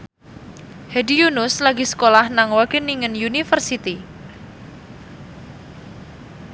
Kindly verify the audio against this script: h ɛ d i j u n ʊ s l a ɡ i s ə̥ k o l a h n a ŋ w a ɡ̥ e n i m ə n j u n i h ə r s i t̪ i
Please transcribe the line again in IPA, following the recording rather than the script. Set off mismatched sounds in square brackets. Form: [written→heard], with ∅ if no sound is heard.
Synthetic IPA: h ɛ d i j u n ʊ s l a ɡ i s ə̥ k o l a h n a ŋ w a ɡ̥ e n i [m→ŋ] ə n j u n i [h→f] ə r s i t̪ i